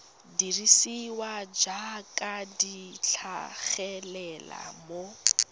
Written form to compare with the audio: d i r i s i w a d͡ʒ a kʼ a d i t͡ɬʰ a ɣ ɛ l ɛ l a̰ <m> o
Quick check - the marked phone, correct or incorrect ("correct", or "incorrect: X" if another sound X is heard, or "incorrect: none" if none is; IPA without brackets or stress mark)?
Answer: correct